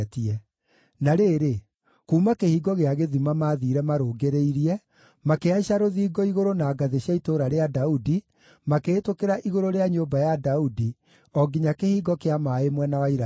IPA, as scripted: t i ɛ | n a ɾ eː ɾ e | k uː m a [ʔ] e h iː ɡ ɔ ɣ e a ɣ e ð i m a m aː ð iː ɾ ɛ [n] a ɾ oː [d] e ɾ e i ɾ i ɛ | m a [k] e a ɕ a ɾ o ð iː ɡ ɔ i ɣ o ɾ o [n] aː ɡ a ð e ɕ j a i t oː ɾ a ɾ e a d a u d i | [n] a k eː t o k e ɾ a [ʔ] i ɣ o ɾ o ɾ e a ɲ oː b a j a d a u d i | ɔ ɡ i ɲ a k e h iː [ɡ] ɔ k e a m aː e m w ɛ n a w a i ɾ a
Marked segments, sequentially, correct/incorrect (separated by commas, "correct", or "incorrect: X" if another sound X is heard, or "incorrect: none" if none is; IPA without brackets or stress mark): incorrect: k, incorrect: m, incorrect: ɡ, correct, correct, incorrect: m, correct, correct